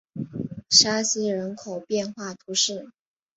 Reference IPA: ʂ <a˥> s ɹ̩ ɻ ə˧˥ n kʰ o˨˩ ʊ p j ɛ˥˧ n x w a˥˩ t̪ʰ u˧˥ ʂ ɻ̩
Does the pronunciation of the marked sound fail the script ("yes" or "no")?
no